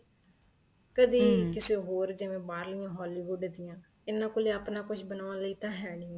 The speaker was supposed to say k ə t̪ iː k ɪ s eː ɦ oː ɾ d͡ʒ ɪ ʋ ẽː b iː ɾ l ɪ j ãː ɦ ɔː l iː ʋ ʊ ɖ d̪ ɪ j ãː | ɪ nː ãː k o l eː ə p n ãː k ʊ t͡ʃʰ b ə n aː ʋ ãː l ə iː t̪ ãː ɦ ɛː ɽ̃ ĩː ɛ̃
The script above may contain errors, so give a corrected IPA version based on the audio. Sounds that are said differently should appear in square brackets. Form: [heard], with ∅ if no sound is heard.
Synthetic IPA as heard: k ə [d̪] iː k ɪ s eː ɦ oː ɾ d͡ʒ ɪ ʋ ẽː b [aː] ɾ l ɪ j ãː ɦ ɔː l iː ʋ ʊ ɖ d̪ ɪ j ãː | ɪ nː ãː k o l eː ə p n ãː k ʊ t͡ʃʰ b ə n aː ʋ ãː l ə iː t̪ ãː ɦ ɛː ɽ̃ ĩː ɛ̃